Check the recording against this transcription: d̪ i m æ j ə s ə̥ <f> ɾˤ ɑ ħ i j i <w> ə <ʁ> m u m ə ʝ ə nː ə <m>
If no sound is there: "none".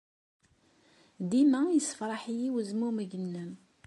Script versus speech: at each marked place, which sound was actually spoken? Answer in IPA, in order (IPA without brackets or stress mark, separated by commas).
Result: f, w, z, m